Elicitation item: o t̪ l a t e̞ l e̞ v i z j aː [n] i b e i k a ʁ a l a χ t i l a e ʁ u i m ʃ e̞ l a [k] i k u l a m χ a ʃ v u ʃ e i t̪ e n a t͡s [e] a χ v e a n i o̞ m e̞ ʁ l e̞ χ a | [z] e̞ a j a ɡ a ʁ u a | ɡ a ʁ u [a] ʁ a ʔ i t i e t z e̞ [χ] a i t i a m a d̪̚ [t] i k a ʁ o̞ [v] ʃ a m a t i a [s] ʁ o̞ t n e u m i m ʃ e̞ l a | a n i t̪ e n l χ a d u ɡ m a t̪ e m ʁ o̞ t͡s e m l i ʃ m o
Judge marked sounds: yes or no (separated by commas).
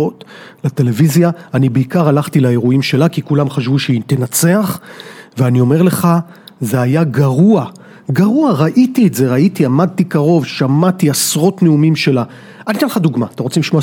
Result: yes, yes, yes, yes, yes, no, yes, yes, yes